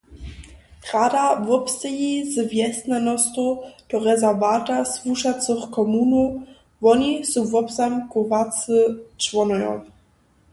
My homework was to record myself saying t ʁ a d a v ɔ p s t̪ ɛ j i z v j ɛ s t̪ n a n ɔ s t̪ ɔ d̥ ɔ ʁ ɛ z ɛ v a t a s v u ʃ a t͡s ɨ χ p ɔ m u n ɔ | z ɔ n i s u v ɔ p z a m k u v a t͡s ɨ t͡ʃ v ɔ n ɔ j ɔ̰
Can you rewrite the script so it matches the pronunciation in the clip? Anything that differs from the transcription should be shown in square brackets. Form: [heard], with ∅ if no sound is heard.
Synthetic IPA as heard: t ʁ a d a v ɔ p s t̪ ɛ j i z v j ɛ s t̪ n a n ɔ s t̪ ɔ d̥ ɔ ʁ ɛ z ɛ v a t a s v u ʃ a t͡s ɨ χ [k] ɔ m u n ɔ | [v] ɔ n i s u v ɔ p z a m k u v a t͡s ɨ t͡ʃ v ɔ n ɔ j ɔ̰